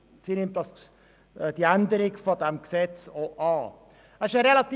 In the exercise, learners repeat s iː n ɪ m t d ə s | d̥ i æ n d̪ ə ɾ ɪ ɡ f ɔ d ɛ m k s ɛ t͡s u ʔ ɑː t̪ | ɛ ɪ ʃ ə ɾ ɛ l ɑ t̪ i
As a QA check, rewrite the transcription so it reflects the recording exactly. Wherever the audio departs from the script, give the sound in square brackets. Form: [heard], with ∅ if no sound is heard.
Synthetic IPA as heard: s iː n ɪ m t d [ɑ] s | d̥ i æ n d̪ ə ɾ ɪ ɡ f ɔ d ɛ m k s ɛ t͡s [o] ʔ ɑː [∅] | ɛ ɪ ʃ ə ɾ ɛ l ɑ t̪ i

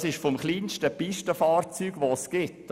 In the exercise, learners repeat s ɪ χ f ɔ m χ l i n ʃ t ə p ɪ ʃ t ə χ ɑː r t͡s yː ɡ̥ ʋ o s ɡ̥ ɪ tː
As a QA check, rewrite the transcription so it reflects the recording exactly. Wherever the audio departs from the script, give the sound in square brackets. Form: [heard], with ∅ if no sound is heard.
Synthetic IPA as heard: s ɪ [ʃ] f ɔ m χ l [iː] n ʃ t ə p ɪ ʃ t ə [f] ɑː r t͡s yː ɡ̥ ʋ o s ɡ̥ ɪ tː

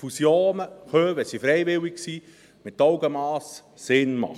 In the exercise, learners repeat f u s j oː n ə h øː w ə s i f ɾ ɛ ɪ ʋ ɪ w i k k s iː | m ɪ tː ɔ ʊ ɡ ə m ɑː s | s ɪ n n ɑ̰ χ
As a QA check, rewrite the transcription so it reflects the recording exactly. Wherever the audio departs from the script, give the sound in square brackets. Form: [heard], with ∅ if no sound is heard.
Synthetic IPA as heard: f u s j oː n ə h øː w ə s i f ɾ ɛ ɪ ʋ ɪ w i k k s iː | m ɪ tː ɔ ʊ ɡ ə m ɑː s | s ɪ n [m] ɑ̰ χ

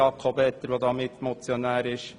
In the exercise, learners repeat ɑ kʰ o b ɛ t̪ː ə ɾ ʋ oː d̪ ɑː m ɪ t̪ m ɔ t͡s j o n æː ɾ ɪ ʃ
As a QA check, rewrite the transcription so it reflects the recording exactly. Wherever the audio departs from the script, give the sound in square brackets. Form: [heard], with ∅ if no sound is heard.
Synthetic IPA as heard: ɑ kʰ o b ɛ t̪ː ə ɾ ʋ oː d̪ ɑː m ɪ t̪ m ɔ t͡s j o n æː ɾ ɪ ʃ

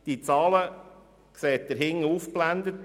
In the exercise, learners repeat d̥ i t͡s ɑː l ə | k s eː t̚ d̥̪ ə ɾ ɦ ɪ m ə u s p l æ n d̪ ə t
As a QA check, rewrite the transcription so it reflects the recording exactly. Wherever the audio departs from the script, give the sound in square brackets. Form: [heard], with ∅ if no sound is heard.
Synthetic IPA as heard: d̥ i t͡s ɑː l ə | k s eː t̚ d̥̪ ə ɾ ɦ ɪ [ŋ] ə u [f] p l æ n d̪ ə t

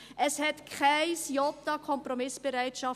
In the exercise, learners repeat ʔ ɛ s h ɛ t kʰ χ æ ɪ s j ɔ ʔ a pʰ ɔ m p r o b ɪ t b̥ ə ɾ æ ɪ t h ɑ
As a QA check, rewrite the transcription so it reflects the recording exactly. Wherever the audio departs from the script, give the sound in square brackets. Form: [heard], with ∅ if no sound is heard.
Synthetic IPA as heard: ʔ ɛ s h ɛ t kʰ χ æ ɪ s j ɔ [t] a [kʰ] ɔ m p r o [m] ɪ [s] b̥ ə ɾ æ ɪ t [ʃ] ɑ

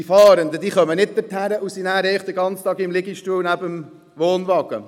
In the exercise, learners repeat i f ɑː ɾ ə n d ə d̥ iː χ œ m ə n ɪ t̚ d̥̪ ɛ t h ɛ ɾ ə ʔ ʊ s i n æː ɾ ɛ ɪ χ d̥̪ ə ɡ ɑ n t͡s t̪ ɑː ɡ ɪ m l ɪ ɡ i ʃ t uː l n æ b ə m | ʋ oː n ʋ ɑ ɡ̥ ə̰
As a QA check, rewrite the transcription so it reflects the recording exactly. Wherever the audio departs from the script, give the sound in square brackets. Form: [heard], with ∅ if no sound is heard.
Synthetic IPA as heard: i f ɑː ɾ ə n d ə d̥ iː χ œ m ə n ɪ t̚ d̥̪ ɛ t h [æ] ɾ ə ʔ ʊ s i n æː ɾ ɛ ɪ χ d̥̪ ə ɡ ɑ n t͡s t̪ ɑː ɡ ɪ m l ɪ ɡ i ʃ t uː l n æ b ə m | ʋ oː n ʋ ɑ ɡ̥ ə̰

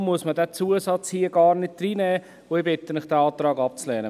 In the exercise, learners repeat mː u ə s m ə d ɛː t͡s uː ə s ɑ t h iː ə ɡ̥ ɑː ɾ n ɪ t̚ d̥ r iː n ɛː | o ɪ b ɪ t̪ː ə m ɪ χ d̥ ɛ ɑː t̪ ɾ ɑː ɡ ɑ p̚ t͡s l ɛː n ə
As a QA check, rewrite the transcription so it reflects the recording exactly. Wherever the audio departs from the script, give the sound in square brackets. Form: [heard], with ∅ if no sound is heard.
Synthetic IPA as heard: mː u ə s m ə d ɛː t͡s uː ə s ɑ [t͡s] h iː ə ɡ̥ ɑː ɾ n ɪ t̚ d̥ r iː n ɛː | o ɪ b ɪ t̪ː ə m ɪ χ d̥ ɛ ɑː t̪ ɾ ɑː ɡ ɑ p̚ t͡s l ɛː n ə

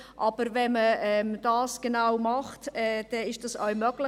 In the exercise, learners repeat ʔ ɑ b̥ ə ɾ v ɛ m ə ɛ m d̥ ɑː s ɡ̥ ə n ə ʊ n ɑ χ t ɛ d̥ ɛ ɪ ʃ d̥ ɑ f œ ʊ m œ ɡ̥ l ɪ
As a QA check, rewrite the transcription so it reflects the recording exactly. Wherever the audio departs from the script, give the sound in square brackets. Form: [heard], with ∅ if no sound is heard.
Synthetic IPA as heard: ʔ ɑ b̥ ə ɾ v ɛ m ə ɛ m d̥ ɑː s ɡ̥ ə n [a] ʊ [m] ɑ χ t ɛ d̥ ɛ ɪ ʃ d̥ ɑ [s] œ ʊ m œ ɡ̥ l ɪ

